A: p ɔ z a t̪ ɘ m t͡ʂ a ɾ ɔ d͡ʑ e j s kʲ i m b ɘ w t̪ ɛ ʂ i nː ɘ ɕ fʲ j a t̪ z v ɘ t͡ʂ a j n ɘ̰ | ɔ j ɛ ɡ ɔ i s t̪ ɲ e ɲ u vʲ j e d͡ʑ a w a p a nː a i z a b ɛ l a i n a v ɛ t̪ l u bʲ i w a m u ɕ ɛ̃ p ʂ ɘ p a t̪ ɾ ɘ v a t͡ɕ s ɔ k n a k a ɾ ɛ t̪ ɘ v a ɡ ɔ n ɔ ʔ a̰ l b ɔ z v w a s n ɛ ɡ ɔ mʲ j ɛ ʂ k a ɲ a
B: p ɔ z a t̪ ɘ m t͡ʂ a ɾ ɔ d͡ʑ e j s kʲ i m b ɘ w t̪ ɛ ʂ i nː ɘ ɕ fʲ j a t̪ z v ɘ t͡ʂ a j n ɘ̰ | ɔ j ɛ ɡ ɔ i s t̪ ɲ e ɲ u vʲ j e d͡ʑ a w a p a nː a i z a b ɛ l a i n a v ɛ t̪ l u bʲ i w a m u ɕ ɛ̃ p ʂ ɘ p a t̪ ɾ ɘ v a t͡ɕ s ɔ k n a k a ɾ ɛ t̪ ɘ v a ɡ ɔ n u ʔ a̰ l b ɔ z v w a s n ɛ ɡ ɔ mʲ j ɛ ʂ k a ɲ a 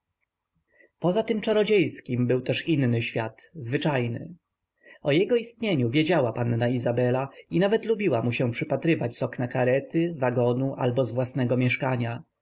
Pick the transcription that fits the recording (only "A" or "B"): B